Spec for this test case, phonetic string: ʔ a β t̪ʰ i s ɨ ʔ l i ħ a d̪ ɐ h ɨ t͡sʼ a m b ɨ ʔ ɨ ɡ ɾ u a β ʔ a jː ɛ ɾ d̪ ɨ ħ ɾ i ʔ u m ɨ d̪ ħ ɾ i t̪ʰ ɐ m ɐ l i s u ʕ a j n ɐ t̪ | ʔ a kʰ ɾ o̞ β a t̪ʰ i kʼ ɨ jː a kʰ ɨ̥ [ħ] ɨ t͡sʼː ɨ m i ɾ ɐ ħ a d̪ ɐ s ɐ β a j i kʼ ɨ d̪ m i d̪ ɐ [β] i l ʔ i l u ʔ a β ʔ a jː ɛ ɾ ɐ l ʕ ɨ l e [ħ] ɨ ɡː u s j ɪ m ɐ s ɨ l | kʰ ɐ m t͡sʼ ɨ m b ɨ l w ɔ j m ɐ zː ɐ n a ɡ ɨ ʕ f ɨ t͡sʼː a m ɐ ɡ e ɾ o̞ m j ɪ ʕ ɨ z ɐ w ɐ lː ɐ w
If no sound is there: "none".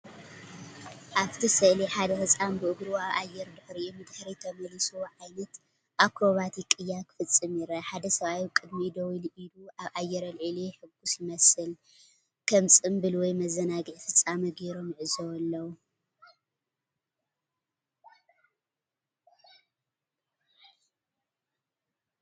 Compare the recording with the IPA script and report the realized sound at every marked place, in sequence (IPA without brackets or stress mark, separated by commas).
f, w, ħ